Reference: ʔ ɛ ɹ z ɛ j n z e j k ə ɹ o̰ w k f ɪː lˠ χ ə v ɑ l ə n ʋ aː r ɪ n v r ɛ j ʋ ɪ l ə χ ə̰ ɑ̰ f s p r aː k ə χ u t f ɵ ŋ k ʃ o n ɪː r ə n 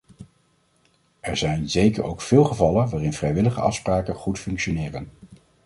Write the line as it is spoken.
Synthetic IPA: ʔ ɛ ɹ z ɛ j n z e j k ə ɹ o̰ w k f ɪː lˠ χ ə v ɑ l ə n ʋ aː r ɪ n v r ɛ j ʋ ɪ l ə χ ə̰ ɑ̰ f s p r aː k ə χ u t f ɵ ŋ k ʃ o n ɪː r ə n